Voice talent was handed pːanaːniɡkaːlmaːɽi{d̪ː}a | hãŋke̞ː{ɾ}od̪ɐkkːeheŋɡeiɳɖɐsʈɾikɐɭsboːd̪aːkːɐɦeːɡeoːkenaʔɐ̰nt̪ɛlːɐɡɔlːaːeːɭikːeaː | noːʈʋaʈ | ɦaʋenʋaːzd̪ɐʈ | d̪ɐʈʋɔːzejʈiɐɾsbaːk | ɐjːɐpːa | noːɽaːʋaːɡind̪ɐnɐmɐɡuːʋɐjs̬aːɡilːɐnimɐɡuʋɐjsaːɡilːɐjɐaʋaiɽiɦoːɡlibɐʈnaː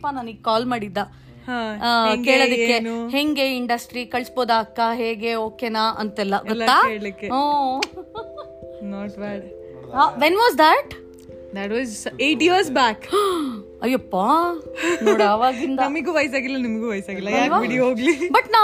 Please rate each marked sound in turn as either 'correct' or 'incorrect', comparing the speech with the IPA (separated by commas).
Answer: correct, incorrect